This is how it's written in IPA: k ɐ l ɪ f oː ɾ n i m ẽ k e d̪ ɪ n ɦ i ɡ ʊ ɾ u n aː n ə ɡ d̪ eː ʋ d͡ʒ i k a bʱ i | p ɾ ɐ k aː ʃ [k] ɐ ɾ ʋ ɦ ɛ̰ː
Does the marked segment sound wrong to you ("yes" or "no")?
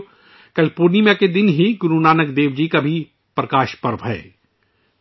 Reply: yes